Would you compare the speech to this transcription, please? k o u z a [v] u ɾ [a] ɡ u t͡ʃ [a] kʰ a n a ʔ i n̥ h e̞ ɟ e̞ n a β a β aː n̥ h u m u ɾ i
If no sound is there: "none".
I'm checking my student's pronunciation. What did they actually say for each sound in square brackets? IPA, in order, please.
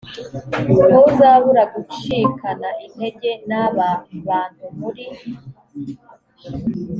β, a, i

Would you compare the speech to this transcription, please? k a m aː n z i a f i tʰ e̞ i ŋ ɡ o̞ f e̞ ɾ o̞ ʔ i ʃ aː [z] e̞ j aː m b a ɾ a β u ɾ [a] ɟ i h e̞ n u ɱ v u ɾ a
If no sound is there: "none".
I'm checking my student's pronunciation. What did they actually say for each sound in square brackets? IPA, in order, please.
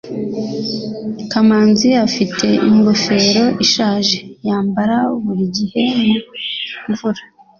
ʒ, i

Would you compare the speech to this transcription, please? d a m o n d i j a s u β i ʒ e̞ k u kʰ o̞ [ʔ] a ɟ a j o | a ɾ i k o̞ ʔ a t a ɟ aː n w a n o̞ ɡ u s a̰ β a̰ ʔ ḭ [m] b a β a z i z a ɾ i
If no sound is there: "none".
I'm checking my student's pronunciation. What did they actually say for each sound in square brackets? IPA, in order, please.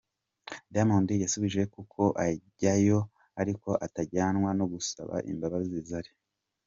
ʔ, m

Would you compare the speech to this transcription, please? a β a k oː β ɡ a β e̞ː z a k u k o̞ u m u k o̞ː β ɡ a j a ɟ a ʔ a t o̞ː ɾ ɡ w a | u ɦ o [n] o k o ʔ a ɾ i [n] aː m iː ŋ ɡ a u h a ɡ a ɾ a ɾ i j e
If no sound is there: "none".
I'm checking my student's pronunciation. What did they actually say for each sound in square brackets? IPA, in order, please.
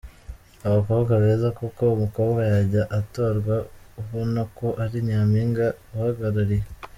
n, ɲ

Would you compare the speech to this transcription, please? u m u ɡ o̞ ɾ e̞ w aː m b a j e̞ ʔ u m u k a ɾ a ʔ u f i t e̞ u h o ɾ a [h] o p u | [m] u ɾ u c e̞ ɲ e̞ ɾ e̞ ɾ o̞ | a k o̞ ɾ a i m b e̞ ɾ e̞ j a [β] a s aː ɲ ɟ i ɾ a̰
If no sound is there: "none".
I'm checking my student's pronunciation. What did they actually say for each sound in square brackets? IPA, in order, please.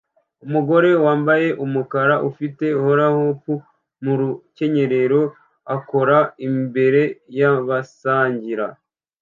h, m, β

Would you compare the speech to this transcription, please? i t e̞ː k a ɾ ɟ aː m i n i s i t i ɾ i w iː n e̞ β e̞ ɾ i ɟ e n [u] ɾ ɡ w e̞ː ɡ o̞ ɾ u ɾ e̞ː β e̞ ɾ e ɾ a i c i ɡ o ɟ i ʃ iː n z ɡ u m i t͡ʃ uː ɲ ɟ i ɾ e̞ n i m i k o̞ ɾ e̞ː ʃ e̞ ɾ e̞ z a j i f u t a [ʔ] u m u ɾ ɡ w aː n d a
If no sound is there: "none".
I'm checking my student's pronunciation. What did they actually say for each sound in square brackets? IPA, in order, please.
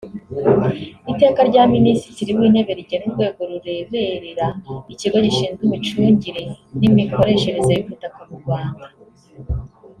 u, k

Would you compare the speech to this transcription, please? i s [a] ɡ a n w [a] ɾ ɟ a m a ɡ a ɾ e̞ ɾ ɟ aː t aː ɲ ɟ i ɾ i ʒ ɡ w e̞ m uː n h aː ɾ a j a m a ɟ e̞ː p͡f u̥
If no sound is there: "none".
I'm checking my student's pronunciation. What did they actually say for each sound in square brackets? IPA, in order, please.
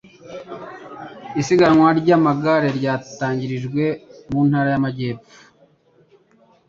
i, a

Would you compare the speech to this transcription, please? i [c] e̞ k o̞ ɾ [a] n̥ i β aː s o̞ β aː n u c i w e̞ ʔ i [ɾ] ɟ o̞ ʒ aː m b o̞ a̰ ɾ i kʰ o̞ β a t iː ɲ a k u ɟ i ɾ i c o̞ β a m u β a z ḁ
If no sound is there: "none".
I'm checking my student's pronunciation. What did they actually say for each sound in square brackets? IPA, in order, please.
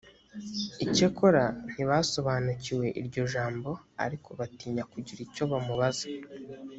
c, a, ɾ

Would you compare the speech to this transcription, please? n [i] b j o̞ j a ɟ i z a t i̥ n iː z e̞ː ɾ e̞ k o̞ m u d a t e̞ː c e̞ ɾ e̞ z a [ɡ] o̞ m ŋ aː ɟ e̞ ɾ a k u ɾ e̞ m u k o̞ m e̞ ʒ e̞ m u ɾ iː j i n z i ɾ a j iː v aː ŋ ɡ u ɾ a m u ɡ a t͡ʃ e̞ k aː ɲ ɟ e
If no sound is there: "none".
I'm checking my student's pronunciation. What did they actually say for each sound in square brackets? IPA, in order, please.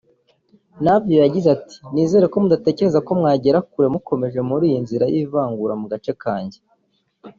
a, k

